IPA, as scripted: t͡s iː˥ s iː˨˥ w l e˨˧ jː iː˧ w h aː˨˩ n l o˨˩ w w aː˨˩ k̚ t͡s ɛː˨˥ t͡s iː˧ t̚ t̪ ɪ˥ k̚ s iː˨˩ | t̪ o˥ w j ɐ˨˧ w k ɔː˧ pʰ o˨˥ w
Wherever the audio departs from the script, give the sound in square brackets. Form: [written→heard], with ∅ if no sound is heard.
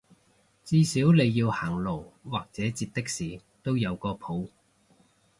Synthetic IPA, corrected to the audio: t͡s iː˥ s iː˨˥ w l e˨˧ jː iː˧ w h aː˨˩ [n→ŋ] l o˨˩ w w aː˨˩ k̚ t͡s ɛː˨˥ t͡s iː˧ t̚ t̪ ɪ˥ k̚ s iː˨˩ | t̪ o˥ w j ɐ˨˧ w k ɔː˧ pʰ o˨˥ w